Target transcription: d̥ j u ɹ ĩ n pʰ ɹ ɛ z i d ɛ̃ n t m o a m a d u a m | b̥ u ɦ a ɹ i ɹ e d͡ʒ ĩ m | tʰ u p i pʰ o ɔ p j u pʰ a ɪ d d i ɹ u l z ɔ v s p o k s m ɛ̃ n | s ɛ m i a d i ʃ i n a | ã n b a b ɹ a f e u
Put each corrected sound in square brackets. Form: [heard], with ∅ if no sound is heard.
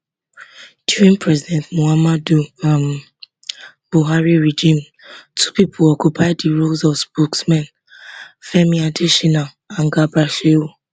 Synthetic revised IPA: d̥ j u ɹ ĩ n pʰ ɹ ɛ z i d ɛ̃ n t m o a m a d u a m | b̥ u ɦ a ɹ i ɹ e d͡ʒ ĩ m | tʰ u p i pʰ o ɔ [k] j u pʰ a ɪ d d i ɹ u l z ɔ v s p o k s m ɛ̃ n | [f] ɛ m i a d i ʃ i n a | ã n [ɡ] a b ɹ a [ʃ] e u